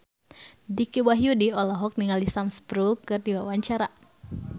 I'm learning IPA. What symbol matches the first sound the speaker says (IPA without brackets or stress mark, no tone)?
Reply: d